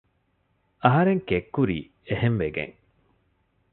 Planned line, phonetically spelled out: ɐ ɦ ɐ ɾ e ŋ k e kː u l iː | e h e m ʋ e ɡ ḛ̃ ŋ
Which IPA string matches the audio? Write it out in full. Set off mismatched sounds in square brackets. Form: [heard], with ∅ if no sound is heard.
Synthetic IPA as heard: ɐ ɦ ɐ ɾ e ŋ k e kː u [ɾ] iː | e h e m ʋ e ɡ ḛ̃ ŋ